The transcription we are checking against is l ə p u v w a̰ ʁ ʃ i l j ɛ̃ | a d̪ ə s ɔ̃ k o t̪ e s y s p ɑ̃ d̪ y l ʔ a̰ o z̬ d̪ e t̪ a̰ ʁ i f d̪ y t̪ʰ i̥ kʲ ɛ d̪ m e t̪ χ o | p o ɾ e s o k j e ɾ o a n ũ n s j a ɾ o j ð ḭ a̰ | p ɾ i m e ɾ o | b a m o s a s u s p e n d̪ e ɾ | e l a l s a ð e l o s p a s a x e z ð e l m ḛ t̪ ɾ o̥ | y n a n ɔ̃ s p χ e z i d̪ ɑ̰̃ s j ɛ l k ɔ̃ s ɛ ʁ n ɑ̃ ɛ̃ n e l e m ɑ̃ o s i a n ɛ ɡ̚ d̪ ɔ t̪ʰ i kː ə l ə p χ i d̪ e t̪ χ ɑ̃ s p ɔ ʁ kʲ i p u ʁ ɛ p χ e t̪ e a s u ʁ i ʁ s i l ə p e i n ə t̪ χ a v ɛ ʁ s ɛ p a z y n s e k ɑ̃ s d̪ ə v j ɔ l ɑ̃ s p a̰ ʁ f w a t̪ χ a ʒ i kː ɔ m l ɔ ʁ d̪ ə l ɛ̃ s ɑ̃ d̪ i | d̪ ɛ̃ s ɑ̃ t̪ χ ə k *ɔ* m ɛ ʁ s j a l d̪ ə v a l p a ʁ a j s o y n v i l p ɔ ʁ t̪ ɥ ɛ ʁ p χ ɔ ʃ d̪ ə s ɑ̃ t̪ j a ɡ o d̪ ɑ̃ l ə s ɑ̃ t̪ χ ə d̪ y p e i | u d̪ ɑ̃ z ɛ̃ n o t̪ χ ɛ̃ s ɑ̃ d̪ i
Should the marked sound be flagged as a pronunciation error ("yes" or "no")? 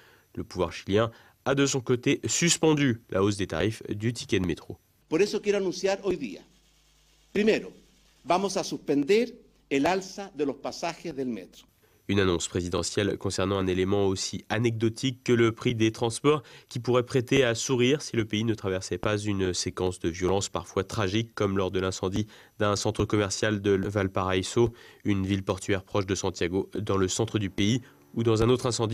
no